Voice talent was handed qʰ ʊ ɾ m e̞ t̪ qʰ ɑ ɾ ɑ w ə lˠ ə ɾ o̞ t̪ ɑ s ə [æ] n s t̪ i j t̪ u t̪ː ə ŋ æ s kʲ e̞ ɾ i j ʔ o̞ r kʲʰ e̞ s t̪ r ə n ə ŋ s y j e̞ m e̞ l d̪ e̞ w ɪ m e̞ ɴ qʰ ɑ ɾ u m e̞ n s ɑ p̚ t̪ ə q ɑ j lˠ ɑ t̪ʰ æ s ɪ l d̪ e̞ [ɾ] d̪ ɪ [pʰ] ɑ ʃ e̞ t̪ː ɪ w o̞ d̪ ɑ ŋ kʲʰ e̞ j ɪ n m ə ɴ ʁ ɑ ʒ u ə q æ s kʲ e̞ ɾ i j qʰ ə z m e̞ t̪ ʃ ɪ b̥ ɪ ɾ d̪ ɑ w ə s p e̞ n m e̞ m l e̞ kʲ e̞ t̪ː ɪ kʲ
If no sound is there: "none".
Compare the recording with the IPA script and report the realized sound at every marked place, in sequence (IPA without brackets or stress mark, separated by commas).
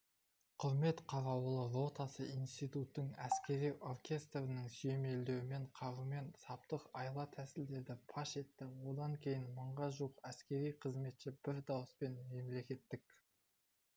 i, ɾ, pʰ